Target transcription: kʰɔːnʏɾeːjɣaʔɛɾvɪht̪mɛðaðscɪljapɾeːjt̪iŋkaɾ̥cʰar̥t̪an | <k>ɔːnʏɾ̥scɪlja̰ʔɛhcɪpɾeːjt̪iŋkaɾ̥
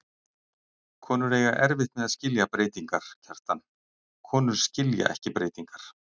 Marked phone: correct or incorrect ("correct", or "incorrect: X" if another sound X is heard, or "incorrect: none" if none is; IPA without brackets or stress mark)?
incorrect: kʰ